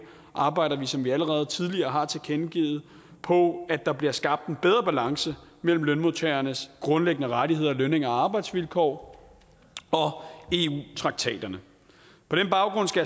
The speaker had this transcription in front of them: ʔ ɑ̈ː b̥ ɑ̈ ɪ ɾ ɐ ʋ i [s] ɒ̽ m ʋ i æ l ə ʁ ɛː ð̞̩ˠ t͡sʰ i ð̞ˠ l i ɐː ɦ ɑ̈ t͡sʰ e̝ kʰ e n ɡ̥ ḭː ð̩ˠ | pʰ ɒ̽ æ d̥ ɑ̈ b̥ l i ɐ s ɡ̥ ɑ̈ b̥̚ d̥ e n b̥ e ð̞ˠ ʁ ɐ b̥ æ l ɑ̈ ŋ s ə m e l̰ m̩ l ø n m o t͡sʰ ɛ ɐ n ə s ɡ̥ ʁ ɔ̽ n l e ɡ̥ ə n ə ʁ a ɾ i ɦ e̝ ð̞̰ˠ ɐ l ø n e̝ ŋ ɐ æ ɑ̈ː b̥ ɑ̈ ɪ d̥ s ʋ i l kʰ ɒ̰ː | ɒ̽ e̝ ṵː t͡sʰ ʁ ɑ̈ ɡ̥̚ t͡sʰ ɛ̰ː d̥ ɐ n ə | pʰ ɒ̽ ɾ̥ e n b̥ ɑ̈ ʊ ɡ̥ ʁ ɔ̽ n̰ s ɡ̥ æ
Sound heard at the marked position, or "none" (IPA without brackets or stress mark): s